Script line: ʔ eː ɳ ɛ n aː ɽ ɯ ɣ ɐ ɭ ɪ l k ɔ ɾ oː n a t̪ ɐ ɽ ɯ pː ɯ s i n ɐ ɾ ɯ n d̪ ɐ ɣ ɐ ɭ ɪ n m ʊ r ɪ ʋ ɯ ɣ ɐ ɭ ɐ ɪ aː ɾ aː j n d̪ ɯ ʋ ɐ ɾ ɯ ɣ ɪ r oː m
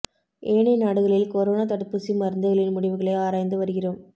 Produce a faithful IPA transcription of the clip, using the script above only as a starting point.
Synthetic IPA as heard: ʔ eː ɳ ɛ n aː ɽ ɯ ɣ ɐ ɭ ɪ l k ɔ ɾ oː n a t̪ ɐ ɽ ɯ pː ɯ s i m ɐ ɾ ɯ n d̪ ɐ ɣ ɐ ɭ ɪ n m ʊ ɽ ɪ ʋ ɯ ɣ ɐ ɭ ɐ ɪ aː ɾ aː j n d̪ ɯ ʋ ɐ ɾ ɯ ɣ ɪ r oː m